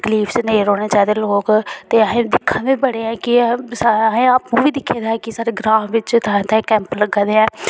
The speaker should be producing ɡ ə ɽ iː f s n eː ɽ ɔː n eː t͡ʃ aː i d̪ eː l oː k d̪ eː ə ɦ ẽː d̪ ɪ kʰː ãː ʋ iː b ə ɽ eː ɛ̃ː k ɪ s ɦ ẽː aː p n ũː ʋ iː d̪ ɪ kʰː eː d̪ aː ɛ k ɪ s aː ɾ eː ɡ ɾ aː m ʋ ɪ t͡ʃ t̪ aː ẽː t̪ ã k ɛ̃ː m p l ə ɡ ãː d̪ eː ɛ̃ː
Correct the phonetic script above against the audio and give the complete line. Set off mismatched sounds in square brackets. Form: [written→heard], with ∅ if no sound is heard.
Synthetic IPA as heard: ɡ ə [ɽ→l] iː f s n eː [ɽ→ɾ] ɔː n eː t͡ʃ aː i d̪ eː l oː k [d̪→t̪] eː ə ɦ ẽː d̪ ɪ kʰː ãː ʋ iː b ə ɽ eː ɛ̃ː k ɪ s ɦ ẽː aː p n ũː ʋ iː d̪ ɪ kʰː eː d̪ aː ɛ k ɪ s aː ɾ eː ɡ ɾ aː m ʋ ɪ t͡ʃ t̪ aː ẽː t̪ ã k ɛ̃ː m p l ə ɡ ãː d̪ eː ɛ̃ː